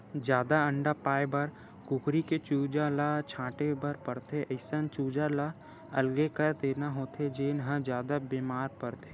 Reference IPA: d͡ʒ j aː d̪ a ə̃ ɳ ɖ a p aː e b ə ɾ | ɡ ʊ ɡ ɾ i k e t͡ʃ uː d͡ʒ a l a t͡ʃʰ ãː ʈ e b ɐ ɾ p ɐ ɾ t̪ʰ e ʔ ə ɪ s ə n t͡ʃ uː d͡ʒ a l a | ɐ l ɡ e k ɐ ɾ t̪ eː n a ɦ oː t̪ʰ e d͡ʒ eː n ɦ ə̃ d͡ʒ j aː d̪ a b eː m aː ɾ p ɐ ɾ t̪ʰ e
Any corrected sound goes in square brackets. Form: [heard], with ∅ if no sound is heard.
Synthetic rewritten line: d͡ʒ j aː d̪ a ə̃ ɳ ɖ a p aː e b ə ɾ | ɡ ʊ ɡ ɾ i k e t͡ʃ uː d͡ʒ a l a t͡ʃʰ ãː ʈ e b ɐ ɾ p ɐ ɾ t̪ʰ e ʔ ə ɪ s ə n t͡ʃ uː d͡ʒ a l a | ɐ l ɡ e k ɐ ɾ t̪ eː n a ɦ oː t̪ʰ e d͡ʒ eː n ɦ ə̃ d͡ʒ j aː d̪ a b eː m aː ɾ p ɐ ɾ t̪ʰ e

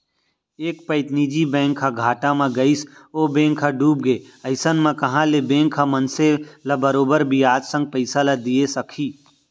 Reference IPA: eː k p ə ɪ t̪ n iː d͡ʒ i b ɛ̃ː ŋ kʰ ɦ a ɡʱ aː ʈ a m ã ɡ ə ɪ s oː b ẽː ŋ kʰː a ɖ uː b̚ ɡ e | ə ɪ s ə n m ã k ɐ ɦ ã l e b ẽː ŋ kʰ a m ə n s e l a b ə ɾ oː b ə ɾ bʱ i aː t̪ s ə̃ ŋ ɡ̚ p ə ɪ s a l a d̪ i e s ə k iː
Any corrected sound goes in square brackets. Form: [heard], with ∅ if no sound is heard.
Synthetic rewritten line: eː k p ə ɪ t̪ n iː d͡ʒ i b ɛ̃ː ŋ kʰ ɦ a ɡʱ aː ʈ a m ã ɡ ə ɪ s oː b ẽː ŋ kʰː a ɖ uː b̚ ɡ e | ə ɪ s ə n m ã k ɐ ɦ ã l e b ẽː ŋ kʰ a m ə n s e l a b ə ɾ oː b ə ɾ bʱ i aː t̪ s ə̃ ŋ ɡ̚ p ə ɪ s a l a d̪ i e s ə [kʰ] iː

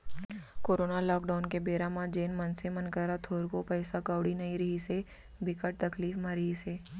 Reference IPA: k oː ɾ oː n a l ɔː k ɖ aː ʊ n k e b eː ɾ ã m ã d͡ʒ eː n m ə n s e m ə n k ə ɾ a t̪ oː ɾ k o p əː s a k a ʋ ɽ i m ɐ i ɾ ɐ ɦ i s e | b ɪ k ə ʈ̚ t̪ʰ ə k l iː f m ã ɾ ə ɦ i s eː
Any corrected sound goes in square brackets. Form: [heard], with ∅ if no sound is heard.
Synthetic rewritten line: k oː ɾ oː n a l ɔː k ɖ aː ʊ n k e b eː ɾ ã m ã d͡ʒ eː n m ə n s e m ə n k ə ɾ a [t̪ʰ] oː ɾ k o p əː s a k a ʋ ɽ i [n] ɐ i ɾ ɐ ɦ i s e | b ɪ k ə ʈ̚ [t̪] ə k l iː f m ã ɾ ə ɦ i s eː

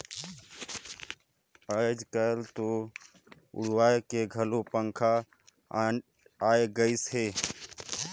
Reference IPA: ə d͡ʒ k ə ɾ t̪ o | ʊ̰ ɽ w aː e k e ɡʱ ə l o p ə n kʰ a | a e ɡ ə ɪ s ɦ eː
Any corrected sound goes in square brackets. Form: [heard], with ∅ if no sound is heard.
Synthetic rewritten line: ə d͡ʒ k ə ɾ t̪ o | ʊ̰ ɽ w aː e k e ɡʱ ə l o p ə [ŋ] kʰ a | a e ɡ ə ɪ s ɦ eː

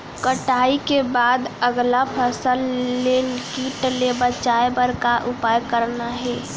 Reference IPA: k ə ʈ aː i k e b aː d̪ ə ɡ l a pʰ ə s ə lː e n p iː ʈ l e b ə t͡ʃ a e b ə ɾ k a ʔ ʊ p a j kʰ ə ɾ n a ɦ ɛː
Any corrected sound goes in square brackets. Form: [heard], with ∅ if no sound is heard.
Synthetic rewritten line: k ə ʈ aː i k e b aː d̪ ə ɡ l a pʰ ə s ə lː e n [k] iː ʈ l e b ə t͡ʃ a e b ə ɾ k a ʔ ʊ p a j [k] ə ɾ n a ɦ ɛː

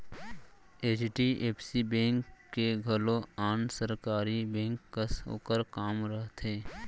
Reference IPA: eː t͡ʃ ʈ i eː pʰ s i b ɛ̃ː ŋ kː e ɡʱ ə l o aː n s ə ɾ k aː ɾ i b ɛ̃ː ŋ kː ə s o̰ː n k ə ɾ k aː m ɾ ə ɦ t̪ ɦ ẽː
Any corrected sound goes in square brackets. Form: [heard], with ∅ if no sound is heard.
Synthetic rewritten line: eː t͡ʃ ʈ i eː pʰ s i b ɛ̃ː ŋ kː e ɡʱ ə l o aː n s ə ɾ k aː ɾ i b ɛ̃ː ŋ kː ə s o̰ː [∅] k ə ɾ k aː m ɾ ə ɦ t̪ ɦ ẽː

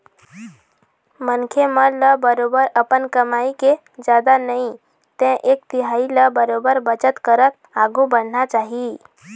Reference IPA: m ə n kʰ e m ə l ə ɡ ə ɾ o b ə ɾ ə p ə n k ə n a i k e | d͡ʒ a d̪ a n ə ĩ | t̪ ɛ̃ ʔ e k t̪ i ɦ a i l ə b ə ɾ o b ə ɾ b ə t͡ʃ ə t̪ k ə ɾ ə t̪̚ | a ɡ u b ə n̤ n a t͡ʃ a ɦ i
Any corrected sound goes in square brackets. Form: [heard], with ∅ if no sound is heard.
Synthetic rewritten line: m ə n kʰ e m ə l ə [b] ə ɾ o b ə ɾ ə p ə n k ə [m] a i k e | d͡ʒ a d̪ a n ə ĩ | t̪ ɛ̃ ʔ e k t̪ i ɦ a i l ə b ə ɾ o b ə ɾ b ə t͡ʃ ə t̪ k ə ɾ ə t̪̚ | a ɡ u b ə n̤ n a t͡ʃ a ɦ i

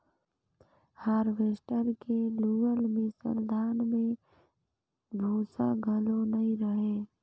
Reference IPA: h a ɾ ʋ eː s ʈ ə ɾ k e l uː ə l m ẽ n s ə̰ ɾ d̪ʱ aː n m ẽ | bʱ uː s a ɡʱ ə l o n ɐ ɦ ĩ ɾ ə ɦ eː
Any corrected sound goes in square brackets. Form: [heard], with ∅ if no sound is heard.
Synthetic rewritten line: h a ɾ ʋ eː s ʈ ə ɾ k e l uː ə l m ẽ [∅] s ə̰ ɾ d̪ʱ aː n m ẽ | bʱ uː s a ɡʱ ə l o n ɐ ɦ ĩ ɾ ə ɦ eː

